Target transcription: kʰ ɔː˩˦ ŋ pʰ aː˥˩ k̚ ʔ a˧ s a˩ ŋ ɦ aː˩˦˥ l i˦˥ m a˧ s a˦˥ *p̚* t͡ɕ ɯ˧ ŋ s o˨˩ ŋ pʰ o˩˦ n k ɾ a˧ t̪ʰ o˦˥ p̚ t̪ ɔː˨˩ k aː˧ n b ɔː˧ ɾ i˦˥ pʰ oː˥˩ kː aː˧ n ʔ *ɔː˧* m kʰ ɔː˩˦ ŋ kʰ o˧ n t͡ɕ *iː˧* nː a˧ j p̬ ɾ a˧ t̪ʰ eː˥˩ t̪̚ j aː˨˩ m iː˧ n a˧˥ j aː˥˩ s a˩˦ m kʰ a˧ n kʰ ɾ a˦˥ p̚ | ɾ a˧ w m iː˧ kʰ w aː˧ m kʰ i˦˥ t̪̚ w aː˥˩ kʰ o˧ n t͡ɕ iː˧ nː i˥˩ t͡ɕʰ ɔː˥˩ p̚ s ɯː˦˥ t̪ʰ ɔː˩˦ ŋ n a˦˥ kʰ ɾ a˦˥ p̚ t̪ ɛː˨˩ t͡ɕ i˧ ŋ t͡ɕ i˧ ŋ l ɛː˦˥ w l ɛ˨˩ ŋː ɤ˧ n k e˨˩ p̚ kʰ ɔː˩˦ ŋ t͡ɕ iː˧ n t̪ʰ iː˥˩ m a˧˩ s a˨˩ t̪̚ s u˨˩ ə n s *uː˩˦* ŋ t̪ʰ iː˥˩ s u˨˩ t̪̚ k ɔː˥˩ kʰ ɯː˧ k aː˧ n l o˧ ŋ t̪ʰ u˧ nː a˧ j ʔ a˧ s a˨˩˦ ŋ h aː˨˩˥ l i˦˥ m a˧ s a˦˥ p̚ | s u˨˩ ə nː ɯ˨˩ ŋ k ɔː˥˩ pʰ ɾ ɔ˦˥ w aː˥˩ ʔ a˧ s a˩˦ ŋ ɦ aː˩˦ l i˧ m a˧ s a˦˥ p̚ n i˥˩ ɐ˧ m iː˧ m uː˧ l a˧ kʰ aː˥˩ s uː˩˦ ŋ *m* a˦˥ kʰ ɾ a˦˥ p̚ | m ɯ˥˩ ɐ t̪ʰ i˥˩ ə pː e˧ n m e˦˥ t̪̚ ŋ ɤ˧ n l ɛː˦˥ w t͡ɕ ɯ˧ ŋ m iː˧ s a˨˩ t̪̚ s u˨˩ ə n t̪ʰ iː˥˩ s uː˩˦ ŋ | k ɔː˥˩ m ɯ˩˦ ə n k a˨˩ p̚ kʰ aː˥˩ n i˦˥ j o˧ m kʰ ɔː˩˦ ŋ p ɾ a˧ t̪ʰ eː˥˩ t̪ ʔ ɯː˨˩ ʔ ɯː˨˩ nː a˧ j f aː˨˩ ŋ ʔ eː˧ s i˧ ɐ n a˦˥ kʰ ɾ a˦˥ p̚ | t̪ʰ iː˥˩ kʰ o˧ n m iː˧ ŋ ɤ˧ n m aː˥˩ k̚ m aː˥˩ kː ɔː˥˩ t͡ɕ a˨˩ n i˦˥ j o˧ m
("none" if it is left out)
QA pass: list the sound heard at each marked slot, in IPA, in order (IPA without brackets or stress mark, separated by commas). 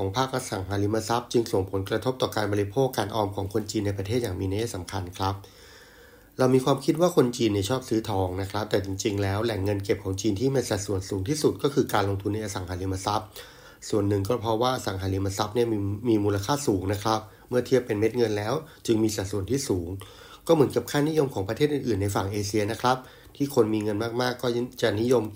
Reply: p̚, ɔː˧, iː˧, uː˩˦, n